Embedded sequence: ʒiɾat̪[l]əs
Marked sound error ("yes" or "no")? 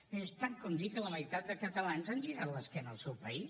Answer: no